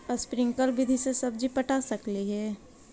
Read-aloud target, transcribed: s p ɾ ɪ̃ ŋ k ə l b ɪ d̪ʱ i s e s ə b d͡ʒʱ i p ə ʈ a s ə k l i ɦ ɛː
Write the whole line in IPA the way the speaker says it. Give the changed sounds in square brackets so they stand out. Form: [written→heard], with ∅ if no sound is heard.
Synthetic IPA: s p ɾ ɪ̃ ŋ k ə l b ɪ d̪ʱ i s e s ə b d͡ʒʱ i p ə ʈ a s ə k l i ɦ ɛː